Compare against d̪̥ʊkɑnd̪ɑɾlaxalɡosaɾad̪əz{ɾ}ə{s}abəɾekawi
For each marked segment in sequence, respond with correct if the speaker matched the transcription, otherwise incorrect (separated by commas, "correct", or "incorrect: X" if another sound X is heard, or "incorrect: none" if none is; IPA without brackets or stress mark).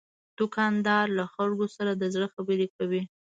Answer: incorrect: ɽ, incorrect: x